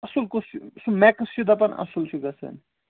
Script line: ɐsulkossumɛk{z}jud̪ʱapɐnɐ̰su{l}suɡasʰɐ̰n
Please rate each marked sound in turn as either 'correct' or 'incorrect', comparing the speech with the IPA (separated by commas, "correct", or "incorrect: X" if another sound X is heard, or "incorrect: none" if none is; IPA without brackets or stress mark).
incorrect: s, correct